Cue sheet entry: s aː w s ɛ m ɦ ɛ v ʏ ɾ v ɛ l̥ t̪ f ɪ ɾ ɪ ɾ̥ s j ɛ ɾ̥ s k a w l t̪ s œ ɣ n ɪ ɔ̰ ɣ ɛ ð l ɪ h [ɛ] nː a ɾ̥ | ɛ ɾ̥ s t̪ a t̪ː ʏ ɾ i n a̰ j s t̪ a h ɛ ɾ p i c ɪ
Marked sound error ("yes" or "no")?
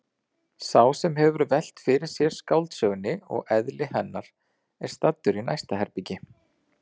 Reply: no